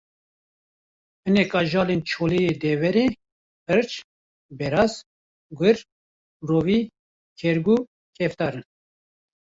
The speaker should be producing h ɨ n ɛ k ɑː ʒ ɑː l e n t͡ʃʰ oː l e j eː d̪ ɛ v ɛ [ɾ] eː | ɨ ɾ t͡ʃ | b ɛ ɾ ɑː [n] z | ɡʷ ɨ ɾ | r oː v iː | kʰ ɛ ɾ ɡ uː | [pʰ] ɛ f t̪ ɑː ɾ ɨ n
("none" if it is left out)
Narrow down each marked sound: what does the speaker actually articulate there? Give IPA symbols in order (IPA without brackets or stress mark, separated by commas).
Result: ɾ, none, kʰ